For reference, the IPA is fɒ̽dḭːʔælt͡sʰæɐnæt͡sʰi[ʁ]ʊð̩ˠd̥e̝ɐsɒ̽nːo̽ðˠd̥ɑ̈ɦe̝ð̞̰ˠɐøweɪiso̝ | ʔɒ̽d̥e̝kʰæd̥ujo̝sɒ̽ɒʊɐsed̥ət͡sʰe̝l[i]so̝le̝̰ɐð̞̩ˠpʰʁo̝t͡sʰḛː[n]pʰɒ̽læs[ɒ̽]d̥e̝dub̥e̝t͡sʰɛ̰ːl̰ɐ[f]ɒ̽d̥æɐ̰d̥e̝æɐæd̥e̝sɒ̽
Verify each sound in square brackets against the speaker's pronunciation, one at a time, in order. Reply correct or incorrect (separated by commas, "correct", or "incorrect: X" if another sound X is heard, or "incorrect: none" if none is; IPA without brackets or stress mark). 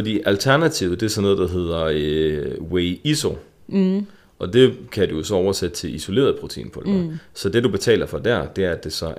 incorrect: none, correct, correct, correct, correct